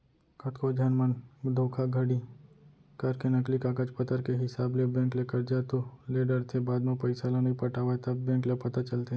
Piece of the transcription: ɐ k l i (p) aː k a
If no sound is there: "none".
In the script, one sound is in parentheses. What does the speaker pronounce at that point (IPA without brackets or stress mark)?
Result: k